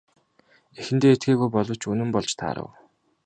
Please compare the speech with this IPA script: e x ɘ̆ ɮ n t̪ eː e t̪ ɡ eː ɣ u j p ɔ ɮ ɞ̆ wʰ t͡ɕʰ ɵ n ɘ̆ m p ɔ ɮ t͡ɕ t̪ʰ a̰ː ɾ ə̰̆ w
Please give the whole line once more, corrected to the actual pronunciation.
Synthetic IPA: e x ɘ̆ n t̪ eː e t̪ ɡ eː ɣ u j p ɔ ɮ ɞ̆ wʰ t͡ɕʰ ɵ n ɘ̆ m p ɔ ɮ t͡ɕ t̪ʰ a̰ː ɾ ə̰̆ w